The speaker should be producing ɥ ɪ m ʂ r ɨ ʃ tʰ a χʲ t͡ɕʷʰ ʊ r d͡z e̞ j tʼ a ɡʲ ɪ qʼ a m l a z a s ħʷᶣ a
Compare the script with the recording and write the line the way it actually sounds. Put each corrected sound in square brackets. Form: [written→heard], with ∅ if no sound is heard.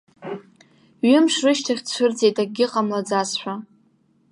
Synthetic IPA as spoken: ɥ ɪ m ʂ r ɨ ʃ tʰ a χʲ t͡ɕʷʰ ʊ r d͡z e̞ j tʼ a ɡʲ ɪ qʼ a m l a [z→d͡z] a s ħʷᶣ a